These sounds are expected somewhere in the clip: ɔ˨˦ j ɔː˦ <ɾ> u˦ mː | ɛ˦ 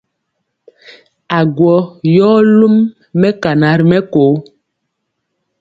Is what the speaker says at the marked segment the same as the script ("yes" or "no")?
no